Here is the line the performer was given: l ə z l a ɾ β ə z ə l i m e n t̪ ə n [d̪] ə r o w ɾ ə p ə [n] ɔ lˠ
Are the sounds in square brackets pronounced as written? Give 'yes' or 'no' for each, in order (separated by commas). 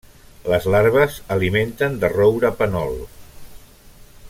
yes, yes